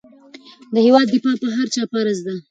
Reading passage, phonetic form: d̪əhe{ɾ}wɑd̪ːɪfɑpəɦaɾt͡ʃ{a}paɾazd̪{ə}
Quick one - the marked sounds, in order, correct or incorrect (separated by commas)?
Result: incorrect, incorrect, incorrect